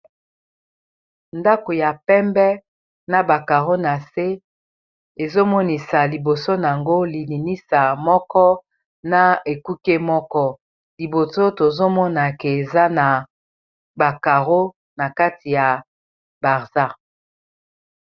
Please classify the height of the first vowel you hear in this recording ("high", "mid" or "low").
low